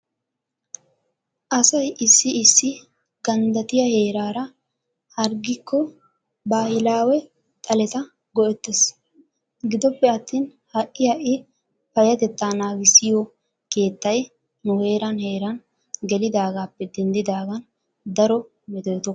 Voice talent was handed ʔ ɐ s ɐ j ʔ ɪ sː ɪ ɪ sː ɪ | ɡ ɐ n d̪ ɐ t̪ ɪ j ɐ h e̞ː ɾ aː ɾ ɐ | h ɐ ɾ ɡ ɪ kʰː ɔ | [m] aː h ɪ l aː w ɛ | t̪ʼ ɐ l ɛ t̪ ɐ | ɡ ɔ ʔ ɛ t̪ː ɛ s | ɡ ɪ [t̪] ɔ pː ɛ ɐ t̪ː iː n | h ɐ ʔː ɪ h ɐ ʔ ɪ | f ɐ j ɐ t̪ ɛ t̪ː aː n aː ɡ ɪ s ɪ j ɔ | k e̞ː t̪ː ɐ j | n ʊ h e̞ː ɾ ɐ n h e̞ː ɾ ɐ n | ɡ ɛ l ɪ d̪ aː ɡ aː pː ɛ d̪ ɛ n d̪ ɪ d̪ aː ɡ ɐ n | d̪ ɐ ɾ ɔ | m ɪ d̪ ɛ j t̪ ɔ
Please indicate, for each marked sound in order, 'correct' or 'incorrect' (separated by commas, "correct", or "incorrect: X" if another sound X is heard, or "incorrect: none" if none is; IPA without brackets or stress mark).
incorrect: b, incorrect: d̪